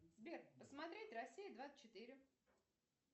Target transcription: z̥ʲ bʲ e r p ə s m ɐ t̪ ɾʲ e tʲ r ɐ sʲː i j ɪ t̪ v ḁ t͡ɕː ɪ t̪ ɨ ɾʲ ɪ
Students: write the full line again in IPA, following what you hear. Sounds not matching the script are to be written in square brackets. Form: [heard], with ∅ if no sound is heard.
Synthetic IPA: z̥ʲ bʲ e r p ə s m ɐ t̪ ɾʲ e tʲ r ɐ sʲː i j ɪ [d̪] v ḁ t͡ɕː ɪ t̪ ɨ ɾʲ ɪ

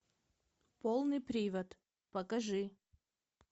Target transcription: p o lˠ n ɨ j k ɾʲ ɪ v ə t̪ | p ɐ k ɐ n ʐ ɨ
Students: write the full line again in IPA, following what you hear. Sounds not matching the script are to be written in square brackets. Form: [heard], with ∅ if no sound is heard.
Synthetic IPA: p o lˠ n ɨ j [p] ɾʲ [i] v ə t̪ | p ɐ k ɐ [∅] ʐ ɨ

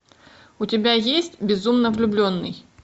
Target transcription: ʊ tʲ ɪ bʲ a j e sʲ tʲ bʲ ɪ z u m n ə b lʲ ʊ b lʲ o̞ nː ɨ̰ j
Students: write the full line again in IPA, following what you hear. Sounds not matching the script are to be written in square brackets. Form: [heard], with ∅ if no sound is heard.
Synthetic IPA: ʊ tʲ ɪ bʲ a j e sʲ tʲ bʲ ɪ z u m n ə [v] lʲ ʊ b lʲ o̞ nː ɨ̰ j

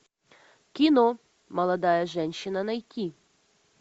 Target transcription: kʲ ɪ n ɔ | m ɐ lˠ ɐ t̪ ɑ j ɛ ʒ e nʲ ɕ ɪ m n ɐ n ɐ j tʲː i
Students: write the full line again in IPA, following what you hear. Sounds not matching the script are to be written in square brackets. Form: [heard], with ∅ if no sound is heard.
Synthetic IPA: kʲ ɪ n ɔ | m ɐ lˠ ɐ [d̪] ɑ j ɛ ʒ [ɛ] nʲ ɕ ɪ [∅] n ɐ n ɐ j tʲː i

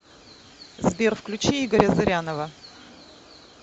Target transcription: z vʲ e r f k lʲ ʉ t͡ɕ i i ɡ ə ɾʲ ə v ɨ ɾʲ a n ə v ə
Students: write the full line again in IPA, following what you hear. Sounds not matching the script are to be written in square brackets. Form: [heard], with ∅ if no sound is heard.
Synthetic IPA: z [bʲ] e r f k lʲ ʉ t͡ɕ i i ɡ ə ɾʲ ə [z] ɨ ɾʲ a n ə v ə

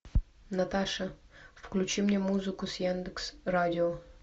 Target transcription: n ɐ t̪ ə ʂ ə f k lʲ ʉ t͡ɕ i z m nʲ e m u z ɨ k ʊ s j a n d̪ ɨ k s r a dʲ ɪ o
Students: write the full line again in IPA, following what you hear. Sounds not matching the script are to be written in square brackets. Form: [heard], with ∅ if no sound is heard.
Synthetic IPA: n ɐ t̪ [a] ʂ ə f k lʲ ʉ t͡ɕ i [∅] m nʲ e m u z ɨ k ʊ s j a n d̪ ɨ k s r a dʲ ɪ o

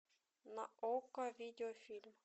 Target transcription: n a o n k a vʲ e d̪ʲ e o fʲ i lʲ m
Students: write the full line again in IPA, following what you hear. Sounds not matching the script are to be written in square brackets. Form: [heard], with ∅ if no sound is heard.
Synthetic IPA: n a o [∅] k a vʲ [i] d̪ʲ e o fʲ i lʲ m

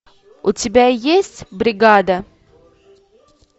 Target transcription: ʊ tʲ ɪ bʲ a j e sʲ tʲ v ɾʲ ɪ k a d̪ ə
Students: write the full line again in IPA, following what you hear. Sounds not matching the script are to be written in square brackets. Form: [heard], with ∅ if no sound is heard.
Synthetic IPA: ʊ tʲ ɪ bʲ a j e sʲ tʲ [b] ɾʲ ɪ [ɡ] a d̪ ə

